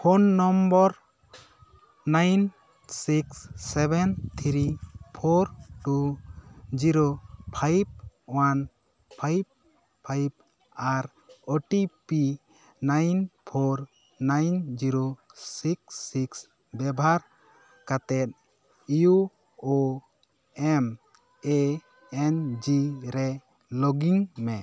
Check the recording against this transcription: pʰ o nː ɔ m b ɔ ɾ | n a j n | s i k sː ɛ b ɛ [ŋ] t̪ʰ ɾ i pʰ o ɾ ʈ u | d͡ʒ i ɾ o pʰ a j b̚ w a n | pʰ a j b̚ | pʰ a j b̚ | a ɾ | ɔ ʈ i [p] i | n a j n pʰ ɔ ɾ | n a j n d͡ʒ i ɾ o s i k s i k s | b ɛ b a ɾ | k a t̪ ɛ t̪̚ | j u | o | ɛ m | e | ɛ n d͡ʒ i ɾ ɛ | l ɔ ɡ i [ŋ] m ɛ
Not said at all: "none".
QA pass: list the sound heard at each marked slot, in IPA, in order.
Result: n, p, ŋ

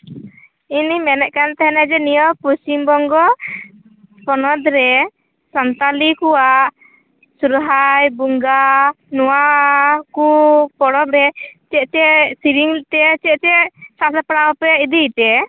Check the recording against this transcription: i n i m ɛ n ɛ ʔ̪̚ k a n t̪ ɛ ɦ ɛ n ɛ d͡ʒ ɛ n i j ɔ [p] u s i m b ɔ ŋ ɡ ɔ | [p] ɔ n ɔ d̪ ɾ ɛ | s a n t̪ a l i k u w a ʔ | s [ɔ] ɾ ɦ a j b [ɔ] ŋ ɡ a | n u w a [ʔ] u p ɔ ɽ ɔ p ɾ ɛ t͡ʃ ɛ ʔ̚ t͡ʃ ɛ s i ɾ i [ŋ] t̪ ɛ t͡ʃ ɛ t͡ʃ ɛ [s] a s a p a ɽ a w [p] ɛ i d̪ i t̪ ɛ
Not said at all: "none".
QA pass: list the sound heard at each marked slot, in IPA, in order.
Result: p, p, u, u, k, ŋ, s, p

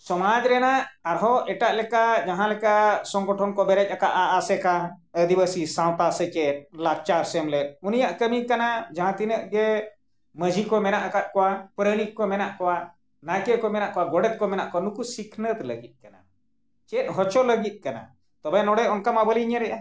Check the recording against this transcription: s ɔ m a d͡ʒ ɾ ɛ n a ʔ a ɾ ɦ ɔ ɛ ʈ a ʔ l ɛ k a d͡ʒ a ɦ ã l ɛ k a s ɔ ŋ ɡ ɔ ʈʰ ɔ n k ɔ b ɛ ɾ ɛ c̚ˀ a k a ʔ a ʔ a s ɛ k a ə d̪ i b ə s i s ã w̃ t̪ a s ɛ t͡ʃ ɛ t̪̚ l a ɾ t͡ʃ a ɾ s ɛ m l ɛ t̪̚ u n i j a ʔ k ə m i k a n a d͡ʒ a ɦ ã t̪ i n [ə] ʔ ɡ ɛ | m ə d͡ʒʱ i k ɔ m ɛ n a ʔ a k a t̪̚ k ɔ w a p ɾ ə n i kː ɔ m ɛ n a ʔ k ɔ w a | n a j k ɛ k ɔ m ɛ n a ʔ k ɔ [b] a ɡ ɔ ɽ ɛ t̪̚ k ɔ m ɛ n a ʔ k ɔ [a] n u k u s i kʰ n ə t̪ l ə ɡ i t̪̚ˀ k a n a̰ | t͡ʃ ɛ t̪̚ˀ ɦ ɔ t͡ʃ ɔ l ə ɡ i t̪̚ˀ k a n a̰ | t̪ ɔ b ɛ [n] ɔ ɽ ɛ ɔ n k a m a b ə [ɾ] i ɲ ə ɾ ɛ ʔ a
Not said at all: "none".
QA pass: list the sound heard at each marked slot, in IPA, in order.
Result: ə, w, a, n, l

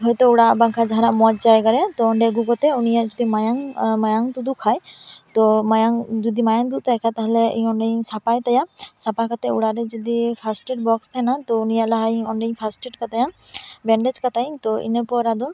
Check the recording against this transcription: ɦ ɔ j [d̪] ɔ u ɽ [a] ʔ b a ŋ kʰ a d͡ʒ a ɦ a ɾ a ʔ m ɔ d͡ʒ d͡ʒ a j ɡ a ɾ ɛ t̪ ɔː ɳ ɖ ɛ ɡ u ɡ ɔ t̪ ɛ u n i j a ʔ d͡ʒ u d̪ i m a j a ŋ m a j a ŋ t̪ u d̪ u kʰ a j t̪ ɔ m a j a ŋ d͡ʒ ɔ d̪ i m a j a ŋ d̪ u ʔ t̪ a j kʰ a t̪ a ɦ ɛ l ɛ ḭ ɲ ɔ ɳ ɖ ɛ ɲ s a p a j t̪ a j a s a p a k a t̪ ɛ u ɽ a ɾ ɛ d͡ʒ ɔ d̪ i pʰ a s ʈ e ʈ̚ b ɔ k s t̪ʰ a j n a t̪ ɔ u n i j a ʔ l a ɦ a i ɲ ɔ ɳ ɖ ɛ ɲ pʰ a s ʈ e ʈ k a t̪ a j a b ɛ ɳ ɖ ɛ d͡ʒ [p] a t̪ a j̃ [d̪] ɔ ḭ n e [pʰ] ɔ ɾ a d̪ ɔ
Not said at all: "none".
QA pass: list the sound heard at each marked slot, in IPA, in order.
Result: t̪, a, k, t̪, p

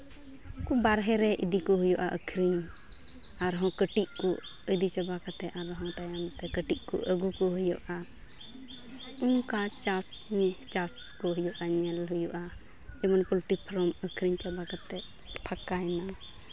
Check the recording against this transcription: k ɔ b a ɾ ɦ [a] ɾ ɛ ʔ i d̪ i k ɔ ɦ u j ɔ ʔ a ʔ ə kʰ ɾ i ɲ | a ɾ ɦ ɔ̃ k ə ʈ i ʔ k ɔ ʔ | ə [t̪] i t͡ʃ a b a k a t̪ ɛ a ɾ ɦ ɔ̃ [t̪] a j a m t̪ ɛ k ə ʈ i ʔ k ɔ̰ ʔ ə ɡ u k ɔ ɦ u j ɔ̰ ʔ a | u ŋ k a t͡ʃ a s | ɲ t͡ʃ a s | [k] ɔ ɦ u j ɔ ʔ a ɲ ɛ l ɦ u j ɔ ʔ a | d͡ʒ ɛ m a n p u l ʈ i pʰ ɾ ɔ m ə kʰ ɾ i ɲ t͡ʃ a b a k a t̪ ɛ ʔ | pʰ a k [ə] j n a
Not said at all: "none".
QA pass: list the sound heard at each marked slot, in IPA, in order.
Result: ɛ, d̪, t̪, k, a

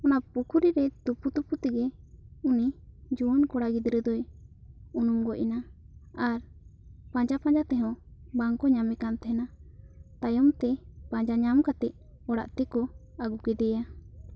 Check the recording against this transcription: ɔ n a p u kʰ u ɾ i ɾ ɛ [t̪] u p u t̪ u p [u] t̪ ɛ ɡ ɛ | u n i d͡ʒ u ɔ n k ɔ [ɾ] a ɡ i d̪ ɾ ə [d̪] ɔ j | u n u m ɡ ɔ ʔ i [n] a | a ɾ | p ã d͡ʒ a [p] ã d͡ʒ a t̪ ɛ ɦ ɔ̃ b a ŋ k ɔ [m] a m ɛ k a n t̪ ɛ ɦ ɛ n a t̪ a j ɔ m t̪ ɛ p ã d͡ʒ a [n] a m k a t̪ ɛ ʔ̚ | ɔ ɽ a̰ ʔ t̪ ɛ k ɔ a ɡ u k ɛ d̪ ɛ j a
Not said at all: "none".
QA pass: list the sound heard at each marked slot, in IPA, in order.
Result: t̪, u, ɽ, d̪, n, p, ɲ, ɲ

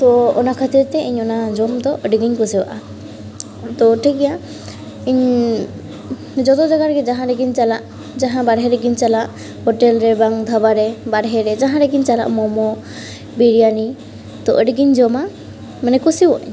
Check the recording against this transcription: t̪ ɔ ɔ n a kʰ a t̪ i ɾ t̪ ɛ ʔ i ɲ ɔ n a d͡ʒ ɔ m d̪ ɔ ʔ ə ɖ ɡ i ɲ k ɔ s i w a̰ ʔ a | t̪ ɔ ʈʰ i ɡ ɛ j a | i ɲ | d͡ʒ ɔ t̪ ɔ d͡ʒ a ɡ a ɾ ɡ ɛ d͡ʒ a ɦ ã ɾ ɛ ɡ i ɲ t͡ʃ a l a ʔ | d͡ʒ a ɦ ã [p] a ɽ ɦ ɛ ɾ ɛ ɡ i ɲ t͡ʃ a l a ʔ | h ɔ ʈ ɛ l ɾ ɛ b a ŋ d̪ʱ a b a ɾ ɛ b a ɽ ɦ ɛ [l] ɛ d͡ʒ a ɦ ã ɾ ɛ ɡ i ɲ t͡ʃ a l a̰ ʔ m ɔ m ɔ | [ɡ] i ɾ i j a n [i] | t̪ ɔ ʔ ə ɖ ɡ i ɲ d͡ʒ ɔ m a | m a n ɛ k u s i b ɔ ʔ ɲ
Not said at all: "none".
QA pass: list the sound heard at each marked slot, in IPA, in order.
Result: b, ɾ, b, i

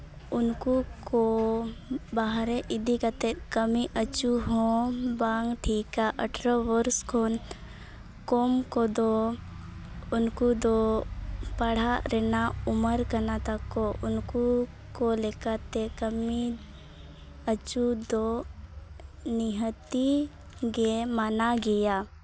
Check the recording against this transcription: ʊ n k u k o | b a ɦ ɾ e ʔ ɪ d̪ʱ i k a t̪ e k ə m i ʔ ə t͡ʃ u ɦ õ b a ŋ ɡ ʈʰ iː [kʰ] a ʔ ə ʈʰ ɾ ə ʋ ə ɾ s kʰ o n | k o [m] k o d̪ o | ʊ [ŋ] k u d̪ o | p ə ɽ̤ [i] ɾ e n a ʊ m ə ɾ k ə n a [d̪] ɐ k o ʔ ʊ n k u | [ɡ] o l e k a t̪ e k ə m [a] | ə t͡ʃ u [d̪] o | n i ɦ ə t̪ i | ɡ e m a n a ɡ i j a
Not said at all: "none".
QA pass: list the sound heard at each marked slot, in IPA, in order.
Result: k, m, n, a, t̪, k, i, d̪

